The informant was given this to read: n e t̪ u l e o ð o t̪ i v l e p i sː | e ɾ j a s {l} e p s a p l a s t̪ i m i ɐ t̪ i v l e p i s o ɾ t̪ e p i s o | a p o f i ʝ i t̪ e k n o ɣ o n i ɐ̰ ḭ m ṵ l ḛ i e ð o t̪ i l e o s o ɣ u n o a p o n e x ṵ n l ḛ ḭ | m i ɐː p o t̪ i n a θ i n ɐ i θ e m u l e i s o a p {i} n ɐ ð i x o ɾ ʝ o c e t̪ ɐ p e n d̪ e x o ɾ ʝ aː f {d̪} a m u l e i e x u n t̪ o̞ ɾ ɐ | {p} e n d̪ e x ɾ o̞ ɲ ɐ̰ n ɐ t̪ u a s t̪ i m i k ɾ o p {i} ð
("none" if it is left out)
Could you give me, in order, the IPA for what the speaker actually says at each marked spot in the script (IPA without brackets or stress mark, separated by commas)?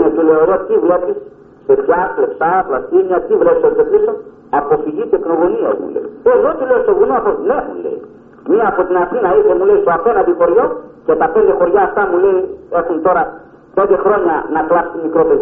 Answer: l, e, t̪, p, e